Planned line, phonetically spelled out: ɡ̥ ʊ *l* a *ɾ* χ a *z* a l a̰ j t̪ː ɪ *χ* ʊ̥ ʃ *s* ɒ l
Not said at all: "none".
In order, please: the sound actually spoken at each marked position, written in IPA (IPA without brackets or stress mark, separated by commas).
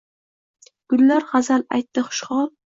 lː, ɾ, z, χ, χ